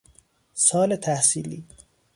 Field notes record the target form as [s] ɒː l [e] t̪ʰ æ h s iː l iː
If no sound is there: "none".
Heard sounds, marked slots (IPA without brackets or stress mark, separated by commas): s, e